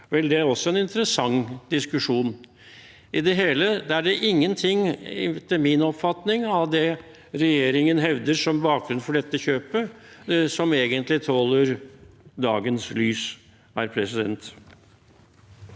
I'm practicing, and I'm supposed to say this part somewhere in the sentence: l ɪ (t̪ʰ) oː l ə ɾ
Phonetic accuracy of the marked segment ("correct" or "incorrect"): correct